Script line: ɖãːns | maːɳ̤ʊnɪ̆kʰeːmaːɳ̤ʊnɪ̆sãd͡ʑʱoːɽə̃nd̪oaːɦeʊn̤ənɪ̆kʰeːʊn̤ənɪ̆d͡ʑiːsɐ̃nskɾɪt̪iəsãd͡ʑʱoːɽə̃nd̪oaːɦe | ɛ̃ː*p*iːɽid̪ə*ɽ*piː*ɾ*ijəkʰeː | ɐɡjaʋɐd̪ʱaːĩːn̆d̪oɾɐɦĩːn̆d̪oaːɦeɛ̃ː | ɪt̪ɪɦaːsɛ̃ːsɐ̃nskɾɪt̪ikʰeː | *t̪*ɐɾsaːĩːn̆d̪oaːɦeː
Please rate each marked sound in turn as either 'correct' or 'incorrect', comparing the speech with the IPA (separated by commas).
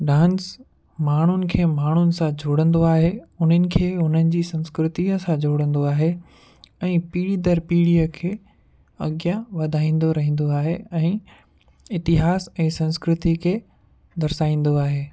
correct, incorrect, incorrect, incorrect